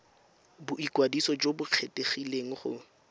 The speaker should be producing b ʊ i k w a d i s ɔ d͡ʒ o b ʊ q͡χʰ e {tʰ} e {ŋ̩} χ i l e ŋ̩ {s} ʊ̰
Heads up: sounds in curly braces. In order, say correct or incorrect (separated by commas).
incorrect, incorrect, incorrect